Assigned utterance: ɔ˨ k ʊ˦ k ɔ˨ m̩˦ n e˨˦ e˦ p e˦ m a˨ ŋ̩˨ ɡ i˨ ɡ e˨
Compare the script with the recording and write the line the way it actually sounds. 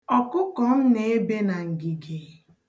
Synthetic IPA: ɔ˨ k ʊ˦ k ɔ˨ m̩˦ n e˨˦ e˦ b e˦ n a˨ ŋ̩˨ ɡ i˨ ɡ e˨